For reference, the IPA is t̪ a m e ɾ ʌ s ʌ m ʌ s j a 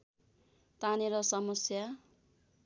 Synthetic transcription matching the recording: t̪ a n e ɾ ʌ s ʌ m ʌ s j a